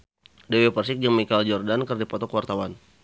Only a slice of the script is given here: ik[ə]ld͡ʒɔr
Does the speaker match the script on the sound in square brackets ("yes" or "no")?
no